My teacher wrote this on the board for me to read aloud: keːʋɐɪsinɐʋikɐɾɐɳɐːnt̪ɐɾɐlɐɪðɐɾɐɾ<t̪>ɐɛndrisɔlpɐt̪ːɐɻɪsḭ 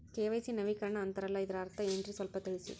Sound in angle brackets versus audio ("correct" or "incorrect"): correct